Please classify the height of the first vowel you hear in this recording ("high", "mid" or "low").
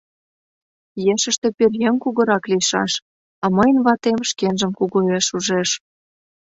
mid